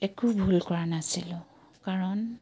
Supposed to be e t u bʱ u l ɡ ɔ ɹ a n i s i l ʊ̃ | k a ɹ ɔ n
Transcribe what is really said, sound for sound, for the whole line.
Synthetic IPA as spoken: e k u bʱ u l k ɔ ɹ a n a s i l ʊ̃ | k a ɹ ɔ n

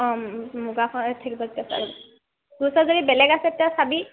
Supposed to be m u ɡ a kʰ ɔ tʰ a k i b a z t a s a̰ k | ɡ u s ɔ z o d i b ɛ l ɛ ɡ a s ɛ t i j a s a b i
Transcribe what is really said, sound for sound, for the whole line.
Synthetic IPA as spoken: m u ɡ a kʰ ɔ tʰ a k i b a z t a s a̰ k | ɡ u s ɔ z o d i b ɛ l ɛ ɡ a s ɛ t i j a s a b i

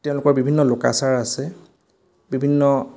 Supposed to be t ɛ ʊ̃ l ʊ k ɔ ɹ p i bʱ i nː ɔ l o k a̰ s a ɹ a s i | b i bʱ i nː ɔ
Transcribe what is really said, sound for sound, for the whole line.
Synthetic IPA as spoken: t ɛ ʊ̃ l ʊ k ɔ ɹ b i bʱ i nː ɔ l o k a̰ s a ɹ a s ɛ | b i bʱ i nː ɔ

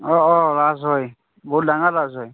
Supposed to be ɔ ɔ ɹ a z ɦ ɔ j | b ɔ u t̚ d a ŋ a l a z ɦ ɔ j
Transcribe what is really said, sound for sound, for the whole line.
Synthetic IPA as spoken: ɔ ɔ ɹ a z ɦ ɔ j | b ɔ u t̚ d a ŋ a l a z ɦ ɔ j

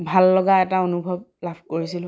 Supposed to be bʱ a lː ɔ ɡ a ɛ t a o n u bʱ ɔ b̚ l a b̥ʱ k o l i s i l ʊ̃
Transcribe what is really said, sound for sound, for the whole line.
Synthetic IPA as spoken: bʱ a lː ɔ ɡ a ɛ t a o n u bʱ ɔ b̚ l a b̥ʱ k o ɹ i s i l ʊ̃

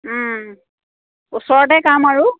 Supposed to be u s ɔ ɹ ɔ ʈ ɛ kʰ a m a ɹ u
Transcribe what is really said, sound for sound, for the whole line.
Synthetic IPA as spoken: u s ɔ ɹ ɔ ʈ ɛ k a m a ɹ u

